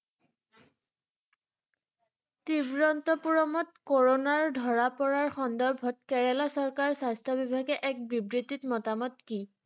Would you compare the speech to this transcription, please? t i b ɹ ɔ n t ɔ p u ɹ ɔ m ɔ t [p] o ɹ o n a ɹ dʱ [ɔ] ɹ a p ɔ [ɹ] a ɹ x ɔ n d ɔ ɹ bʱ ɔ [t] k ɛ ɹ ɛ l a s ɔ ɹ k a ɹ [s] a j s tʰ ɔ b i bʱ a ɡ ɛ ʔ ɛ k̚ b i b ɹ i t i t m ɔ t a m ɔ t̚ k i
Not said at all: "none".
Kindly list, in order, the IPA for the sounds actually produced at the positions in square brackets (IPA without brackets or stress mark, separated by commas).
k, ɔ, ɹ, t, s